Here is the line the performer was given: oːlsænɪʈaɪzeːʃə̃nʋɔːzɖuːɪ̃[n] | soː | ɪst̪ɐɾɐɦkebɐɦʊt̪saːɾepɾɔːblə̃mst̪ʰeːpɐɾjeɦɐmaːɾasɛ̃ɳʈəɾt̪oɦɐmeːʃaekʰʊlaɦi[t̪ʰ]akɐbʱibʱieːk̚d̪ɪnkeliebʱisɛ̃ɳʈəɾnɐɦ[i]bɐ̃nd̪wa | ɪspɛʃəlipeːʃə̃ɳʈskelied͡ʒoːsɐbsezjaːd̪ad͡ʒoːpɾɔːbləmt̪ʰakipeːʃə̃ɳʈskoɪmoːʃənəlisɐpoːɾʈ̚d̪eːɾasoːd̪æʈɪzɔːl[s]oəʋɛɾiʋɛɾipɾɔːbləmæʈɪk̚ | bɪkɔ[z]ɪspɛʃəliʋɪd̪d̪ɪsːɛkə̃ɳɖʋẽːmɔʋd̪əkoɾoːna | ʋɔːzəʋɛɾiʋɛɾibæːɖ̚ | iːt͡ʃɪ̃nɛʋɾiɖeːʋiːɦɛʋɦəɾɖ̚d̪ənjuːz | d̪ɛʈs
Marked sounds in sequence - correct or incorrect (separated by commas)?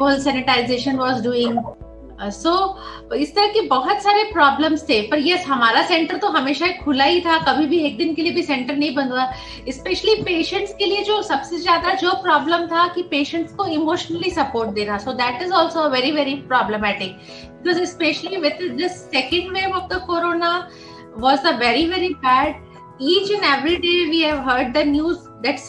incorrect, correct, incorrect, correct, correct